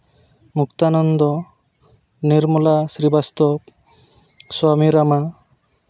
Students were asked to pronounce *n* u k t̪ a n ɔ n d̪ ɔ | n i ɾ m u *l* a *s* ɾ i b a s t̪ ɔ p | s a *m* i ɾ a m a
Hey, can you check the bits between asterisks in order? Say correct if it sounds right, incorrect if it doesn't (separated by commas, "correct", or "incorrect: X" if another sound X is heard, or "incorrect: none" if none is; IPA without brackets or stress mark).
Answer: incorrect: m, correct, correct, correct